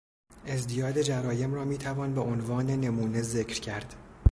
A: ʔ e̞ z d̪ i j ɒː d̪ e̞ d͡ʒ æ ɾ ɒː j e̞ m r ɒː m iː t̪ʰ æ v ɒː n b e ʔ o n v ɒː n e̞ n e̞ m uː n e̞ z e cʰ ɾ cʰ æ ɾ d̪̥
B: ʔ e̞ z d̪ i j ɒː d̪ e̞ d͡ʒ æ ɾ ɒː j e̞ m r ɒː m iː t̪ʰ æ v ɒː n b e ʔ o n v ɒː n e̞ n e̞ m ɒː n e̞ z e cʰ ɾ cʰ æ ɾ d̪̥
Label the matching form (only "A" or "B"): A